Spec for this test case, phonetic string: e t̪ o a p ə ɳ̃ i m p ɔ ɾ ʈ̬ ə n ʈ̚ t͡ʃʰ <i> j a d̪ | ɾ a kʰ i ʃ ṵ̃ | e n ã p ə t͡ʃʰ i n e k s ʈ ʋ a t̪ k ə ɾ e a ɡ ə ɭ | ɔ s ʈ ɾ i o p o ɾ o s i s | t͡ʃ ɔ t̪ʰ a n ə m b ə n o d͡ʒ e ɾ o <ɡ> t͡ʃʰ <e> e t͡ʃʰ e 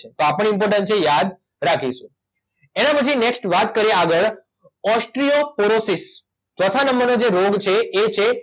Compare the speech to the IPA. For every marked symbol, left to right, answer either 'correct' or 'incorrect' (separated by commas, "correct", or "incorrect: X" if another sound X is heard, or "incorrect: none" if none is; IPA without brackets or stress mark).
incorrect: e, correct, correct